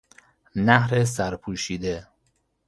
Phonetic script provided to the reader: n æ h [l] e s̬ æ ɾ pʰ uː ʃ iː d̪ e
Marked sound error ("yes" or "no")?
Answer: yes